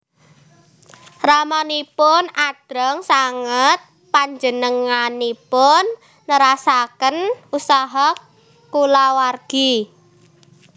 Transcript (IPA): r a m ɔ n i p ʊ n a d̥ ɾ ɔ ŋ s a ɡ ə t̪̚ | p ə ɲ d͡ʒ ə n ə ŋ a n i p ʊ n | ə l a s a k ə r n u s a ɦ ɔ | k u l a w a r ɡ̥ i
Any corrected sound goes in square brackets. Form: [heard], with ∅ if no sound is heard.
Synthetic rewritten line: r a m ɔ n i p ʊ n a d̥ ɾ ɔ ŋ s a [ŋ] ə t̪̚ | p [a] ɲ d͡ʒ ə n ə ŋ a n i p ʊ [nː] | ə [ɾ] a s a k ə [∅] n u s a ɦ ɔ | k u l a w a r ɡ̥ i